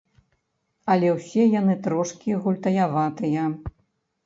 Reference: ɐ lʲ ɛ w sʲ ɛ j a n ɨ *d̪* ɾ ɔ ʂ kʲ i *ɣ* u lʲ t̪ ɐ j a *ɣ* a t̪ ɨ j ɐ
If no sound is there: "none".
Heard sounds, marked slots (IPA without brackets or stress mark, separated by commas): t̪, ɣ, v